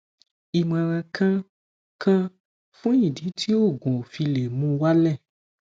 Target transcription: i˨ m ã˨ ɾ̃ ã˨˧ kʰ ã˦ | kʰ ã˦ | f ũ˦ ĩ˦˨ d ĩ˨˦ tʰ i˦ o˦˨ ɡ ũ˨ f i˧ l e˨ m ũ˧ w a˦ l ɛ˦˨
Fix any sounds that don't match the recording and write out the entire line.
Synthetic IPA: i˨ m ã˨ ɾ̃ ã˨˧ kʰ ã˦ | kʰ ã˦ | f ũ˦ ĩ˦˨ d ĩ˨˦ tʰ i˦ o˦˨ ɡ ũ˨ f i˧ l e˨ m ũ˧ w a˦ l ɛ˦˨